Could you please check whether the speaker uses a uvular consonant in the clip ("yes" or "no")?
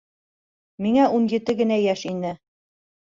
no